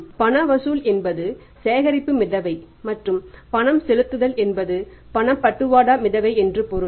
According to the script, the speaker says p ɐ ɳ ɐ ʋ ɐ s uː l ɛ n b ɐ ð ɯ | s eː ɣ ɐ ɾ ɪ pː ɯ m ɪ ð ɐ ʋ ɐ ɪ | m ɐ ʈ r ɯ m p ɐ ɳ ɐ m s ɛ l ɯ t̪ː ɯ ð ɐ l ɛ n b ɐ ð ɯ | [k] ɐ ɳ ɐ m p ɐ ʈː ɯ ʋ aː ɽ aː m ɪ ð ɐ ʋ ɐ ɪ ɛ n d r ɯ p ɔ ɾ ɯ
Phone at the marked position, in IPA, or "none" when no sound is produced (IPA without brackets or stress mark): p